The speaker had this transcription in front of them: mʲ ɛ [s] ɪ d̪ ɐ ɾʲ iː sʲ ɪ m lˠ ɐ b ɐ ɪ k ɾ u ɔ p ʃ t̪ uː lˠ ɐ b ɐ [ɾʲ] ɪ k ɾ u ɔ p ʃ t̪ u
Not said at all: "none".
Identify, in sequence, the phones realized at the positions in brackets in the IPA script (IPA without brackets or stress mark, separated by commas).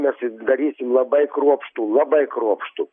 s, none